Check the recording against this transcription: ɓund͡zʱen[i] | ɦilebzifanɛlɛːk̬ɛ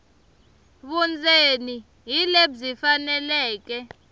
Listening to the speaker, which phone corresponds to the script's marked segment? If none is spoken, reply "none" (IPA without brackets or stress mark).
i